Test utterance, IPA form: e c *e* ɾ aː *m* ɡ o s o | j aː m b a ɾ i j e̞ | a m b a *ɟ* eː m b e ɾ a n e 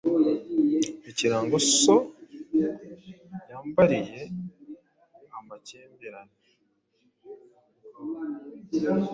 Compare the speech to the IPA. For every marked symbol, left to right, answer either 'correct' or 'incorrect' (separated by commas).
incorrect, incorrect, incorrect